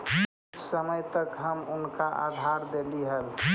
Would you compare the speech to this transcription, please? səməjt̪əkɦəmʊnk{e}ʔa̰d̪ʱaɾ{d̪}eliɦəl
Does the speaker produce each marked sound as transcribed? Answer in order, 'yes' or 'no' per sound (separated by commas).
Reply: no, yes